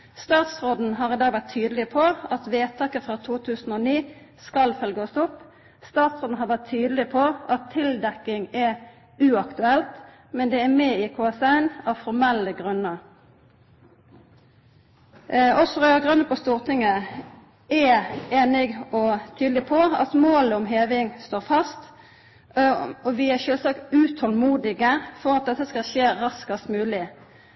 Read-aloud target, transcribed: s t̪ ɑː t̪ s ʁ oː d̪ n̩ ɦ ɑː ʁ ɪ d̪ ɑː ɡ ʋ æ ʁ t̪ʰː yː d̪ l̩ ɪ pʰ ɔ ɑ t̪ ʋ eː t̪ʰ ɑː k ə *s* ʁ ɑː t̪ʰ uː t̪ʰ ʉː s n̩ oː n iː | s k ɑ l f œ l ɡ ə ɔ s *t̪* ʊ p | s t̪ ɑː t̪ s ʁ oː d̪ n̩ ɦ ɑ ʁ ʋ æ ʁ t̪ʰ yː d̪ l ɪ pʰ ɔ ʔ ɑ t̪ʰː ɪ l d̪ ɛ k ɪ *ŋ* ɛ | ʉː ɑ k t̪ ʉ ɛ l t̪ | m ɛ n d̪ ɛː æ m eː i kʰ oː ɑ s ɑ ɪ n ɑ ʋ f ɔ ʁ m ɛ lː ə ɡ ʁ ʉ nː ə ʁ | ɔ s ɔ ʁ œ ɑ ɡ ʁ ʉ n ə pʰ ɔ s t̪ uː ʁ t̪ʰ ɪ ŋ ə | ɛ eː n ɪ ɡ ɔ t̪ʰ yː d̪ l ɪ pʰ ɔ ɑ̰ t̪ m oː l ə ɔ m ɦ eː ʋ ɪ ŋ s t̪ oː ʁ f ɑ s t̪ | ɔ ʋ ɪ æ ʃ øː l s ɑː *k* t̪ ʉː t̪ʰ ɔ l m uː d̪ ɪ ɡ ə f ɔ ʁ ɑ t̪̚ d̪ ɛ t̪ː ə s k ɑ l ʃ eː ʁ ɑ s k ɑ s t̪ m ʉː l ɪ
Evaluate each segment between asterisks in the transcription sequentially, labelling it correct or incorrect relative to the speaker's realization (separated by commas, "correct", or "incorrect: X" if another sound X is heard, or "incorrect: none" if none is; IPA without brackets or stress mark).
incorrect: f, correct, correct, correct